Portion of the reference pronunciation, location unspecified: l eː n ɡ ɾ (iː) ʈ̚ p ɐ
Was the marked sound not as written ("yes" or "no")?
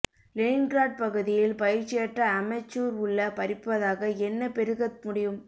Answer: yes